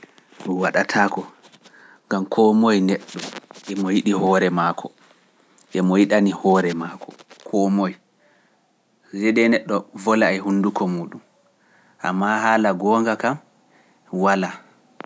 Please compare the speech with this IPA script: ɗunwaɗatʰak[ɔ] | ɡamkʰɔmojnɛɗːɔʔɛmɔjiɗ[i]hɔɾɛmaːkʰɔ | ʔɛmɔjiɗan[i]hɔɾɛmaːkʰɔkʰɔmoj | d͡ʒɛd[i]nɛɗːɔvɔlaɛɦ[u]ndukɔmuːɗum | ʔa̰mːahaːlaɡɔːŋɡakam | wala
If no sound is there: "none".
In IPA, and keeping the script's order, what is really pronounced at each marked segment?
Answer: ɔ, i, i, ɛ, u

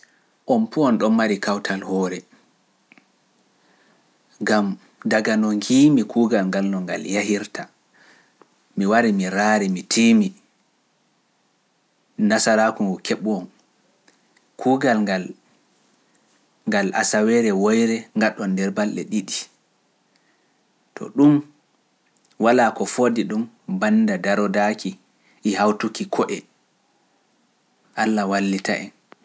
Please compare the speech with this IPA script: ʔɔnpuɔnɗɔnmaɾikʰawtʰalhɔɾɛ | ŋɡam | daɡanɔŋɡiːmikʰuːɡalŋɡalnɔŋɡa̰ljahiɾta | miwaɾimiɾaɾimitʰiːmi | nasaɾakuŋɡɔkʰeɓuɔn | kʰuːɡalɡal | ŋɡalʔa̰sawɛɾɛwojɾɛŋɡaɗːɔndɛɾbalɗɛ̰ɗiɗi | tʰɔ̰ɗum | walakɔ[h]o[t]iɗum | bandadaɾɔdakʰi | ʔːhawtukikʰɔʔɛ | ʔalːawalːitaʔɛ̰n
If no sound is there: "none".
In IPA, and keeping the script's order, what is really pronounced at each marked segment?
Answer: f, d

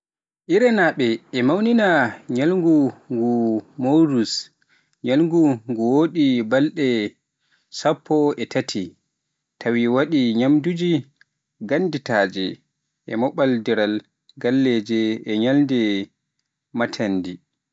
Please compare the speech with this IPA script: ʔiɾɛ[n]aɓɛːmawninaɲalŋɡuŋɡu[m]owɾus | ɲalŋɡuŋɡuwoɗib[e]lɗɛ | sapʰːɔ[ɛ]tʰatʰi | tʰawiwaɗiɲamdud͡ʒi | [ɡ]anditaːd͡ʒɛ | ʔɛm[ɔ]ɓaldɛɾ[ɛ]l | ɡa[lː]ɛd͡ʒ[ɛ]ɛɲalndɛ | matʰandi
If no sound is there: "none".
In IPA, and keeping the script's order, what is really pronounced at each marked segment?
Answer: n, m, a, ɛ, ɡ, ɔ, a, lː, ɛ

